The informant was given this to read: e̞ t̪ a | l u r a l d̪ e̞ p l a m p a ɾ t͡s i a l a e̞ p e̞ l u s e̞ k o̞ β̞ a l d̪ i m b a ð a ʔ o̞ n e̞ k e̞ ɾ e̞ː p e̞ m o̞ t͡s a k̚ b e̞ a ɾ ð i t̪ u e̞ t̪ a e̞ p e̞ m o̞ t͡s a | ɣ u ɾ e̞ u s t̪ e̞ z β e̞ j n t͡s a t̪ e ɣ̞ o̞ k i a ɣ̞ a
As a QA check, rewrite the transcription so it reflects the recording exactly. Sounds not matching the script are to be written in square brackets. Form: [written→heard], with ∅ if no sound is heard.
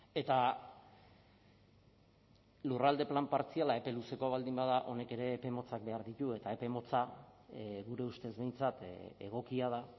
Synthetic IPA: e̞ t̪ a | l u r a l d̪ e̞ p l a m p a ɾ t͡s i a l a e̞ p e̞ l u s e̞ k o̞ β̞ a l d̪ i m b a ð a ʔ o̞ n e̞ k e̞ ɾ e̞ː p e̞ m o̞ t͡s a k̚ b e̞ a ɾ ð i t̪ u e̞ t̪ a e̞ p e̞ m o̞ t͡s a | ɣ u ɾ e̞ u s t̪ e̞ z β e̞ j n t͡s a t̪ e ɣ̞ o̞ k i a [ɣ̞→ð̞] a